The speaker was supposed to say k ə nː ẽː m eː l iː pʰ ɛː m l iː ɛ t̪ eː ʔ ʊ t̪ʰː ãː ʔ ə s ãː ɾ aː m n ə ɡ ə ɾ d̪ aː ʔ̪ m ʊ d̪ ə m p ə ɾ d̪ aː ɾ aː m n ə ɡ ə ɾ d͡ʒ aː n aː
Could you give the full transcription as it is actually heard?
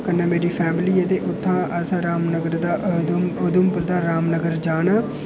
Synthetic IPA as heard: k ə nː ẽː m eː ɾ iː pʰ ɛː m l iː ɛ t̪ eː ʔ ʊ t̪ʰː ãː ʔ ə s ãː ɾ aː m n ə ɡ ə ɾ d̪ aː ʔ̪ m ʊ d̪ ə m p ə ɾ d̪ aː ɾ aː m n ə ɡ ə ɾ d͡ʒ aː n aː